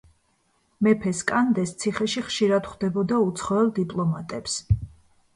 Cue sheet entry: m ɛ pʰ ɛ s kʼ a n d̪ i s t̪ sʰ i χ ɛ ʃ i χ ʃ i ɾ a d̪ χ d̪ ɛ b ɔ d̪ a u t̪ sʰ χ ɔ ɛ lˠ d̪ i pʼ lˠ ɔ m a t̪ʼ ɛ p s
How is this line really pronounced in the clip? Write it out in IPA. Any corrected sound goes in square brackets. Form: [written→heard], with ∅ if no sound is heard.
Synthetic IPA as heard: m ɛ pʰ ɛ s kʼ a n d̪ [i→ɛ] s t̪ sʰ i χ ɛ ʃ i χ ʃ i ɾ a d̪ χ d̪ ɛ b ɔ d̪ a u t̪ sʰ χ ɔ ɛ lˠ d̪ i pʼ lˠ ɔ m a t̪ʼ ɛ p s